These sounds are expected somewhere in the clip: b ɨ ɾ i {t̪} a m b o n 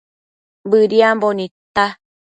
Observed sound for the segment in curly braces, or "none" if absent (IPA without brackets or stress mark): none